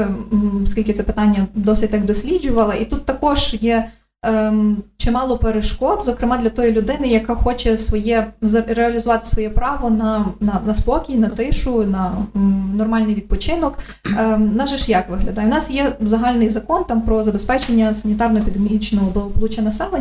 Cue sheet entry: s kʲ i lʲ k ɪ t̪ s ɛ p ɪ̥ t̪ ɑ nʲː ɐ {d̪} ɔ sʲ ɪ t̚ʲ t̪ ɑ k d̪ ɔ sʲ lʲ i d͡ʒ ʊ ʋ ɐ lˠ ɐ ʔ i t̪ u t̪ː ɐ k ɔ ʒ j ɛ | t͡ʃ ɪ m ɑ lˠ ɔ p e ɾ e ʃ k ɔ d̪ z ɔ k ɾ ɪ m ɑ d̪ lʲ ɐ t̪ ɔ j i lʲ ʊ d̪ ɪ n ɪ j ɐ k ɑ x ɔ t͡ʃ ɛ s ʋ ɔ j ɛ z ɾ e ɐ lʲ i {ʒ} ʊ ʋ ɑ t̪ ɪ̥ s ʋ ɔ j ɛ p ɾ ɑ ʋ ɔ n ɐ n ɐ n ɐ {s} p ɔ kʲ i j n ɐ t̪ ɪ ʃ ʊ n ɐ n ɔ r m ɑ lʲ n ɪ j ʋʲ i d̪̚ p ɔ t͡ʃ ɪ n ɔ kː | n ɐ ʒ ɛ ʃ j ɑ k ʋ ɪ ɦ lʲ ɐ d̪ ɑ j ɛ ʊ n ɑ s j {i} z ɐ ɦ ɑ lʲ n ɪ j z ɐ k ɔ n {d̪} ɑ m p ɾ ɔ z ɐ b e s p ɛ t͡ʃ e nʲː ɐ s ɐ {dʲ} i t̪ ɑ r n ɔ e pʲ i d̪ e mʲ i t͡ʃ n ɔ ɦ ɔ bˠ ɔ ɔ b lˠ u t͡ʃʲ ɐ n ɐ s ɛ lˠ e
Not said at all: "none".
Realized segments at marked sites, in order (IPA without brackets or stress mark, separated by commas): d̪, z, s, ɛ, t̪, nʲ